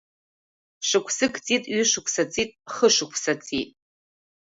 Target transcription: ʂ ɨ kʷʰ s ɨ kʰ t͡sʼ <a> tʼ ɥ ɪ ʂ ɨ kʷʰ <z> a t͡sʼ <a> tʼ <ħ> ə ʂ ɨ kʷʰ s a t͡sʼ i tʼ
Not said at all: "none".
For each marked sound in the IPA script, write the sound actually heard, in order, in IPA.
i, s, i, χ

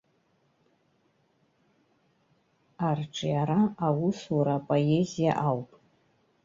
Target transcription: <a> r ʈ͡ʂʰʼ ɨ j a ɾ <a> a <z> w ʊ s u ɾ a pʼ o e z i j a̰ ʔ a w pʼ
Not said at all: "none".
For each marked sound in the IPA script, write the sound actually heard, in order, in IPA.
a, a, none

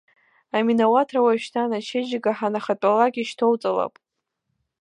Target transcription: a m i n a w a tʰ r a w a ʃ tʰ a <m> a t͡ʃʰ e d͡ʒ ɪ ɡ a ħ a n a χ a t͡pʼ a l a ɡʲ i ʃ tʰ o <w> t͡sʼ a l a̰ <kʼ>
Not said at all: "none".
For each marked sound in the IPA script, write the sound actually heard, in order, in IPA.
n, w, pʼ

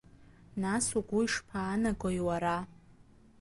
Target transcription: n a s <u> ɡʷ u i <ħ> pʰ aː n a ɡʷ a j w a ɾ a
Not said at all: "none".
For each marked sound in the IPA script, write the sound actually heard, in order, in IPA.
u, ʂ

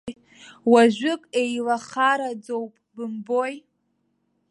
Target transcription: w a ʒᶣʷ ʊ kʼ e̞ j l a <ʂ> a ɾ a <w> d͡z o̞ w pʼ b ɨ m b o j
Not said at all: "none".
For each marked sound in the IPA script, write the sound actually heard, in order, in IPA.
χ, none

